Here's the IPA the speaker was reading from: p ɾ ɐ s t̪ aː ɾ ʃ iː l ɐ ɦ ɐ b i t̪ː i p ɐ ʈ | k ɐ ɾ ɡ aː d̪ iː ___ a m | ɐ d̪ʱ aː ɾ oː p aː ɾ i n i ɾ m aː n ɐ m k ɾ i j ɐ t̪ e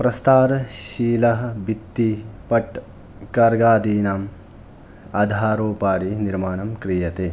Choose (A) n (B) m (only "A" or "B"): A